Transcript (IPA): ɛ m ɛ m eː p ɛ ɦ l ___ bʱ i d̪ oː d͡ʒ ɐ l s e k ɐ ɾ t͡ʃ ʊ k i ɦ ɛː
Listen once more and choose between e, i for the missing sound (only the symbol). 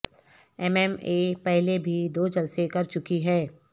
e